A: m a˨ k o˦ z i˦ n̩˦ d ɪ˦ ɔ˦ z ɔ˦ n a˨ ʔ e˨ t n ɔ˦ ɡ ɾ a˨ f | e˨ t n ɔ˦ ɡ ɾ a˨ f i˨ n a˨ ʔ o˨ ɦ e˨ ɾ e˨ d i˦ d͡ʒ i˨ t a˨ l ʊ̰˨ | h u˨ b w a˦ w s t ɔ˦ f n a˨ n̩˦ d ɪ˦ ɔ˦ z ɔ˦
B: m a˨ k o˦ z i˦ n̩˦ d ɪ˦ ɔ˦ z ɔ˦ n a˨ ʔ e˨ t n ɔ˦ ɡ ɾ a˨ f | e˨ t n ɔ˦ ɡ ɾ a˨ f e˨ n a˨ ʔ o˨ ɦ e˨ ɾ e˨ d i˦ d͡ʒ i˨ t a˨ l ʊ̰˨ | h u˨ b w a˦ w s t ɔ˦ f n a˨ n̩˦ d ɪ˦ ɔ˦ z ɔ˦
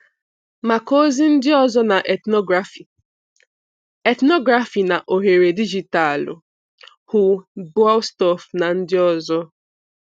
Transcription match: A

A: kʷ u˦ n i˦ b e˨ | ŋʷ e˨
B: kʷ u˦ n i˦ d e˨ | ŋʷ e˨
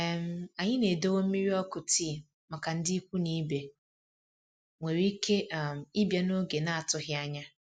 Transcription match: A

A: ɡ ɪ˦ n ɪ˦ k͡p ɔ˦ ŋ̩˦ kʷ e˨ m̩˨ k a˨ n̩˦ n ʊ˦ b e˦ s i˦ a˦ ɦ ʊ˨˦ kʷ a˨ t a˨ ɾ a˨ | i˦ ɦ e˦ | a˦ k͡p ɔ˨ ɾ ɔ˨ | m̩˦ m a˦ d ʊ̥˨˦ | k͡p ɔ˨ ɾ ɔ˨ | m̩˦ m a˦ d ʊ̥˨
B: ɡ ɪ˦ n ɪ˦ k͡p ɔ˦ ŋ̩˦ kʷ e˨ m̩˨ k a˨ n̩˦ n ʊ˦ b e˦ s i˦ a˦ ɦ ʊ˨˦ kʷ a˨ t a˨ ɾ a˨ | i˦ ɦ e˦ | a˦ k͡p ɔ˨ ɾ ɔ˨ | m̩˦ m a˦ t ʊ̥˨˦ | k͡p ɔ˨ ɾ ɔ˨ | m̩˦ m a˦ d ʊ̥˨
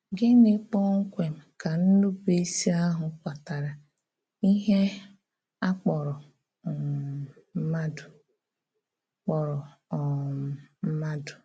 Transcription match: A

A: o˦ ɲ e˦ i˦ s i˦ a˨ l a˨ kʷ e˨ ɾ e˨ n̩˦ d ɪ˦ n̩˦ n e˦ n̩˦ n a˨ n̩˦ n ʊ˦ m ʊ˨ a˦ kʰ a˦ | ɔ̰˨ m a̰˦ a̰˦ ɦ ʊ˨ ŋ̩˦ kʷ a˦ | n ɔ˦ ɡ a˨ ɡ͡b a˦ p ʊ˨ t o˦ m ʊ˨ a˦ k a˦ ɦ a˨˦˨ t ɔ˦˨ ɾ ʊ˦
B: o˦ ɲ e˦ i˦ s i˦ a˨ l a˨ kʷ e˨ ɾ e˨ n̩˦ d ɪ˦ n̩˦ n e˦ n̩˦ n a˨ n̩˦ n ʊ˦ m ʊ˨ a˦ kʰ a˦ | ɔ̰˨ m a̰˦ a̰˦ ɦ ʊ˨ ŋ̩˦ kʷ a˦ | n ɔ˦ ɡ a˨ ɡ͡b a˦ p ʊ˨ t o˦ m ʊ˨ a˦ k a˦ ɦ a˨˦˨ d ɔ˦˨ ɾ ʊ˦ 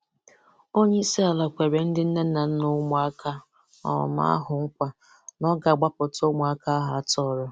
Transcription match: A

